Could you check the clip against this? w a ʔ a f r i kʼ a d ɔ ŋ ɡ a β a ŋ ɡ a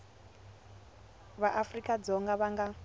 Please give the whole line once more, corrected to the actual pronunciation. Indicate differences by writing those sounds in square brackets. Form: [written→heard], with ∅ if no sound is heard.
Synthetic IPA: [w→β] a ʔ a f r i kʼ a [d→d͡z] ɔ ŋ ɡ a β a ŋ ɡ a